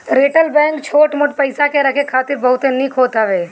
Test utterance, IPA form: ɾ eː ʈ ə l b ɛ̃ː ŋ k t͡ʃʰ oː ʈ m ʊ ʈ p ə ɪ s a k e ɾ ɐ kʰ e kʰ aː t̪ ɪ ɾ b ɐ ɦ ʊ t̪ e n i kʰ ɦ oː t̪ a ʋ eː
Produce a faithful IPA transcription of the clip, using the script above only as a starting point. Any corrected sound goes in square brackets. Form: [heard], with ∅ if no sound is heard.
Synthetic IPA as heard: ɾ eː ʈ ə l b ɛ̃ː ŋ k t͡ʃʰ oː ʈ m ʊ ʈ p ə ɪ s a k e ɾ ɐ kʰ e kʰ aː t̪ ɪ ɾ b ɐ ɦ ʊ t̪ e n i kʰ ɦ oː t̪ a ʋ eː